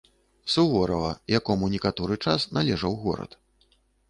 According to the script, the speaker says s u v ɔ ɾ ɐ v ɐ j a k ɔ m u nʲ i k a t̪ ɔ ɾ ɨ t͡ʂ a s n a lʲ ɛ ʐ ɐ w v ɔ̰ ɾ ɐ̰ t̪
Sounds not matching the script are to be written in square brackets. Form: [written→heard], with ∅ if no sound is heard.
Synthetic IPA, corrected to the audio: s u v ɔ ɾ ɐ v ɐ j a k ɔ m u nʲ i k a t̪ ɔ ɾ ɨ t͡ʂ a s n a lʲ ɛ ʐ ɐ w [v→ɣ] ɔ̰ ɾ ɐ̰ t̪